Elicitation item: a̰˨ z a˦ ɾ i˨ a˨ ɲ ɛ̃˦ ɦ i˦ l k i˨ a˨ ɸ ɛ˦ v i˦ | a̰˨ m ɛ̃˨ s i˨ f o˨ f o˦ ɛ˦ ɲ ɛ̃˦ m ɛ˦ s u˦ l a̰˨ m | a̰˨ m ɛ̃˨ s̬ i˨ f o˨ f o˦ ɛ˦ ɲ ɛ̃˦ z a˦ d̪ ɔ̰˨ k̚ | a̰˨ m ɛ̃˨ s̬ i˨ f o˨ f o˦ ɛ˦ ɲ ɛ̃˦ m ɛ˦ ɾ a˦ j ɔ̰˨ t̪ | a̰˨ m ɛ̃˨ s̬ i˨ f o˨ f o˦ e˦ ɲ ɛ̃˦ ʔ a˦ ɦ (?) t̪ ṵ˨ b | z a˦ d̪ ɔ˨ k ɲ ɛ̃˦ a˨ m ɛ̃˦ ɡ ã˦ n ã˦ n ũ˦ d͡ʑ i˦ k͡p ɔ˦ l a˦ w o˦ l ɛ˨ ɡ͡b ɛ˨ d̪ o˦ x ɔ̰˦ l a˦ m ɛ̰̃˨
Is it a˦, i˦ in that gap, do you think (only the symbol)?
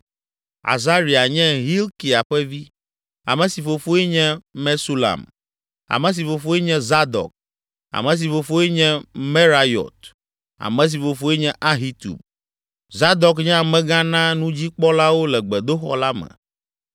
i˦